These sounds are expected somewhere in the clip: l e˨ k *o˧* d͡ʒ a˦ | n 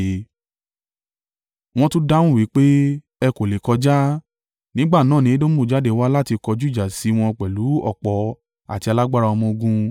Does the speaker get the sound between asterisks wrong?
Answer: yes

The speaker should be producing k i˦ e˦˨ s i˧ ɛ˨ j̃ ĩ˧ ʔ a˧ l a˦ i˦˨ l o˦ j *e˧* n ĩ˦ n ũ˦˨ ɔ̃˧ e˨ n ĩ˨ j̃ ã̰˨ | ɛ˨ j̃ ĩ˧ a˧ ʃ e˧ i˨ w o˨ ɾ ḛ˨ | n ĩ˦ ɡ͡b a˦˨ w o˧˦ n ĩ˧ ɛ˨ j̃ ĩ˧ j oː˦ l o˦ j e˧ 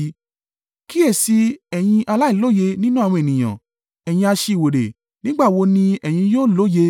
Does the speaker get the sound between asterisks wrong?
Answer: no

